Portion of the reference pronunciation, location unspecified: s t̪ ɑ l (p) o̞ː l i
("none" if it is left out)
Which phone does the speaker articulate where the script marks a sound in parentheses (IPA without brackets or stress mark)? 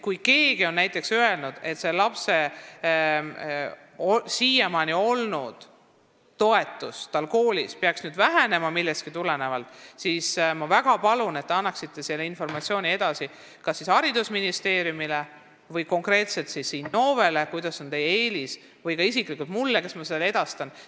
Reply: k